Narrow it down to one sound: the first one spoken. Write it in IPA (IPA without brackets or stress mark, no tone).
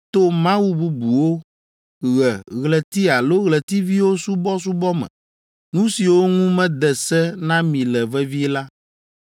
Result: t̪